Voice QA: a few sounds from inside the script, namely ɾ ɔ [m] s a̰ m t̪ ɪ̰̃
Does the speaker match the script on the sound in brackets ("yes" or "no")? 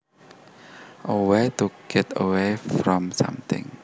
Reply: yes